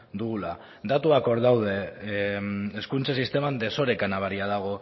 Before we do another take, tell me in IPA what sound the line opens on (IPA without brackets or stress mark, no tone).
d̪